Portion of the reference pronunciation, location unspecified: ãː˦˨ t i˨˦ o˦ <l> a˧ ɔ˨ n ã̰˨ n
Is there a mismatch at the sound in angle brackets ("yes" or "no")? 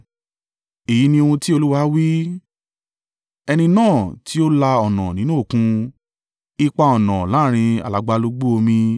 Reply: no